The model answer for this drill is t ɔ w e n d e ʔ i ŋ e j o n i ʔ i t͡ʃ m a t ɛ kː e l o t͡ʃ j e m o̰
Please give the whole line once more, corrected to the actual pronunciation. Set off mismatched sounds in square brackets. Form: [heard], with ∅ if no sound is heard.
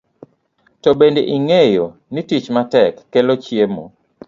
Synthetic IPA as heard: t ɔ [b] e n d e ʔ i ŋ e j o n i [t] i t͡ʃ m a t ɛ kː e l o t͡ʃ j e m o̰